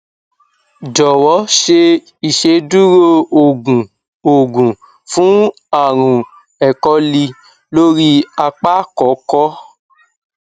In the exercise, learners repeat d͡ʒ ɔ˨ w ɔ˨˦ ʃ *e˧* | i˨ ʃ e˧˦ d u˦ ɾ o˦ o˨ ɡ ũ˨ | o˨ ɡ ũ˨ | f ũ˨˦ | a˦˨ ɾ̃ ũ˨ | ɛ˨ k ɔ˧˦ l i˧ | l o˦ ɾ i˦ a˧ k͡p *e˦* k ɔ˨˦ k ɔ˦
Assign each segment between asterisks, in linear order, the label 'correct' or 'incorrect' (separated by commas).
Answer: correct, incorrect